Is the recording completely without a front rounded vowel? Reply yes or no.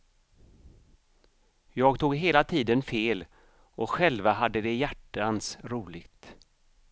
yes